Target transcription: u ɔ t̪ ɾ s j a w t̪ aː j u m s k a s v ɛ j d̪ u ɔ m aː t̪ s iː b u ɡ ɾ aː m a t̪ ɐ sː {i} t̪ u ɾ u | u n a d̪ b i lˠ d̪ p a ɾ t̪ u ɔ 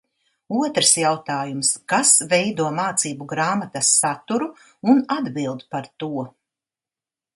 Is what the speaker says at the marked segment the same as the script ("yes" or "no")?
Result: no